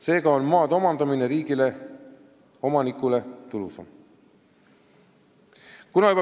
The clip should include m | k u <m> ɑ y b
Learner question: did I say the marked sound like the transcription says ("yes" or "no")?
no